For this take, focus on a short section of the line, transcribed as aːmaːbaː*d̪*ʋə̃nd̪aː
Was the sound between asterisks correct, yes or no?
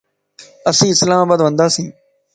yes